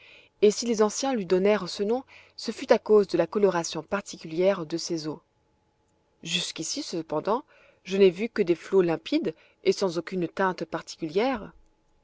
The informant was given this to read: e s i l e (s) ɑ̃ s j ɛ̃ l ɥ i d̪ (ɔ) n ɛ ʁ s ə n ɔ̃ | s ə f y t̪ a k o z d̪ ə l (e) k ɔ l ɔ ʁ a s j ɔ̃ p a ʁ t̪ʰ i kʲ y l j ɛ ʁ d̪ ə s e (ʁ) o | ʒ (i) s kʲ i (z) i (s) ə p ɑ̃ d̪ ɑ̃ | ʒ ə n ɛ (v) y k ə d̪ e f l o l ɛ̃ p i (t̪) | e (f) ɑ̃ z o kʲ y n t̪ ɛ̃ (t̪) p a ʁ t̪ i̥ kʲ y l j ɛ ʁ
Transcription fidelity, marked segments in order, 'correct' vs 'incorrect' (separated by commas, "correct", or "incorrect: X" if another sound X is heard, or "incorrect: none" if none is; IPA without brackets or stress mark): incorrect: z, correct, incorrect: a, incorrect: z, incorrect: y, incorrect: s, correct, correct, incorrect: d̪, incorrect: s, correct